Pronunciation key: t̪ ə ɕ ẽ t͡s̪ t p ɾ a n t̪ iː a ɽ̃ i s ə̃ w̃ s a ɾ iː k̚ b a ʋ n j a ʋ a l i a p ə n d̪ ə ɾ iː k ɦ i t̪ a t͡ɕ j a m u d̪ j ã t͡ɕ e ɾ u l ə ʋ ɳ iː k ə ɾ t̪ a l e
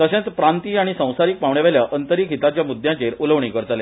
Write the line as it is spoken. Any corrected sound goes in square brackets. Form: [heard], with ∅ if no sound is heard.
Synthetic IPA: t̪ ə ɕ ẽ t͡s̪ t p ɾ a n t̪ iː a ɽ̃ i s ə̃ w̃ s a ɾ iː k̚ [p] a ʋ [ɳ] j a ʋ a l [j] a [ʔ] ə n [t̪] ə ɾ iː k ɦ i t̪ a t͡ɕ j a m u d̪ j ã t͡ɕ e ɾ u l ə ʋ ɳ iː k ə ɾ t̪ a l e